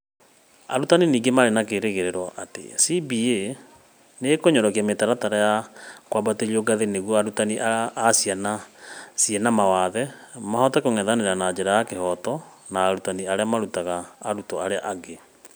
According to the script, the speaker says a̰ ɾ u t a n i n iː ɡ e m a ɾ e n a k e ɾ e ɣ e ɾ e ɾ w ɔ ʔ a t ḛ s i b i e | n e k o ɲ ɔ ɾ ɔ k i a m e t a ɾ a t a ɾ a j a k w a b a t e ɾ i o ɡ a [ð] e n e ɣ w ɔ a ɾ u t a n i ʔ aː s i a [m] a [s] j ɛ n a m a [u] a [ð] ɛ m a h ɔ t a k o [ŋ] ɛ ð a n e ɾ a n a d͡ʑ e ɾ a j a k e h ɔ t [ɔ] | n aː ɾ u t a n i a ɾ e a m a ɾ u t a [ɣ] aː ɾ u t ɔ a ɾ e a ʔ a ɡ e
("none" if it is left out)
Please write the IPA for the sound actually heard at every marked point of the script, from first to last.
ð, n, s, w, ð, ŋ, ɔ, ɣ

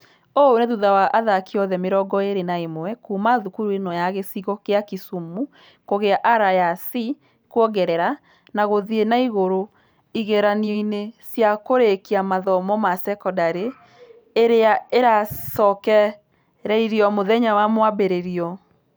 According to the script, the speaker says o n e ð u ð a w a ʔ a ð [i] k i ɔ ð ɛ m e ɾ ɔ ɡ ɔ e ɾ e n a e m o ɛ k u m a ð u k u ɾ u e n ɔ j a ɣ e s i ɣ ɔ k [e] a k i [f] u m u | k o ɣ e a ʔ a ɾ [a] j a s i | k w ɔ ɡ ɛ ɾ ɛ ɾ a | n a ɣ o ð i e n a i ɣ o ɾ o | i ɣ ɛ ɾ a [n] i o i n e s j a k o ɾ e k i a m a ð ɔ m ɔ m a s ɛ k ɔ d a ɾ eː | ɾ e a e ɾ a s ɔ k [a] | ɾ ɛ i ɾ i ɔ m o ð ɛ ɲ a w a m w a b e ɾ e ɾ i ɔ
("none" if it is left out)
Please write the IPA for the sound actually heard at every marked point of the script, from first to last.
a, e, s, a, n, ɛ

